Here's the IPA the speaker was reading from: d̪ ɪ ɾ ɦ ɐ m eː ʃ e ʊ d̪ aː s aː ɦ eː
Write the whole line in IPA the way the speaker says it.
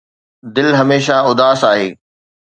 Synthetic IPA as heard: d̪ ɪ l ɦ ɐ m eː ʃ a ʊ d̪ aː s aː ɦ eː

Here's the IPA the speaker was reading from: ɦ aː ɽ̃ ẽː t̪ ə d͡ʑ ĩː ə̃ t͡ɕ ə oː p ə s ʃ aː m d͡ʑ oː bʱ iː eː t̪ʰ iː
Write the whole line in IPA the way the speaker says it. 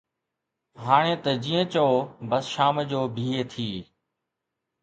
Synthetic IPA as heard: ɦ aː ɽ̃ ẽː t̪ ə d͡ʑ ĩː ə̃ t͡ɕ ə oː b ə s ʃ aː m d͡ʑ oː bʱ iː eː t̪ʰ iː

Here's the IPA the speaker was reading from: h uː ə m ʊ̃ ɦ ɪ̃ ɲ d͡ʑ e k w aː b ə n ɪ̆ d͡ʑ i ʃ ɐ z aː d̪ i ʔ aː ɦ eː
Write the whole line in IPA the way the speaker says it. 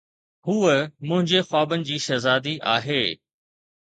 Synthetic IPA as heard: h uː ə m ʊ̃ ɦ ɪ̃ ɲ d͡ʑ e x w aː b ə n ɪ̆ d͡ʑ iː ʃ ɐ z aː d̪ i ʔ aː ɦ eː

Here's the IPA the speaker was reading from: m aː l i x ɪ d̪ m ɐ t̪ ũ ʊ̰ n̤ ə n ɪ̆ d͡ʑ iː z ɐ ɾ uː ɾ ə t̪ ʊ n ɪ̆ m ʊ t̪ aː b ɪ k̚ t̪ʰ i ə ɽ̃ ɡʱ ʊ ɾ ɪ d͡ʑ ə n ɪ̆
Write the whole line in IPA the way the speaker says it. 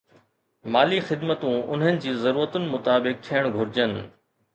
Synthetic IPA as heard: m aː l i x ɪ d̪ m ə t̪ ũ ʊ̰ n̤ ə n ɪ̆ d͡ʑ iː z ɐ ɾ uː ɾ ə t̪ ʊ n ɪ̆ m ʊ t̪ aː b ɪ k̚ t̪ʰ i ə ɽ̃ ɡʱ ʊ ɾ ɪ d͡ʑ ə n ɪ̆

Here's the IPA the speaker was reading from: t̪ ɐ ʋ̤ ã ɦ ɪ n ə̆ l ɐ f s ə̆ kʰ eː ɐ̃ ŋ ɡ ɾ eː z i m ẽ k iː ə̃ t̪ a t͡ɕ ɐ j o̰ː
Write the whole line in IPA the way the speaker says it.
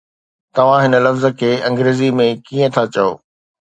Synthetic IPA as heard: t̪ ɐ ʋ̤ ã ɦ ɪ n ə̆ l ɐ f z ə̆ kʰ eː ɐ̃ ŋ ɡ ɾ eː z i m ẽ k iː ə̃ t̪ʰ a t͡ɕ ɐ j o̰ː

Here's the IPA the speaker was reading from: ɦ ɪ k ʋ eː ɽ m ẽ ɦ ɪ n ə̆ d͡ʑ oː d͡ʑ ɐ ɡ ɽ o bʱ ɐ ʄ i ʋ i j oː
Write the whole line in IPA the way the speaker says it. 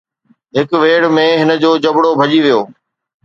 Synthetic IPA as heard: ɦ ɪ k ʋ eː ɽ m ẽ ɦ ɪ n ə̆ d͡ʑ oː d͡ʑ ɐ b ɽ o bʱ ɐ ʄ i ʋ i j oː

